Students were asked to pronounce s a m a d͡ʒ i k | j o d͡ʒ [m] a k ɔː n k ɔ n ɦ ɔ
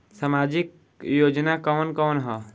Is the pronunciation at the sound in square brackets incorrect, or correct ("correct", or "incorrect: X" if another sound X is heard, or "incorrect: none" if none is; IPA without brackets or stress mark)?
incorrect: n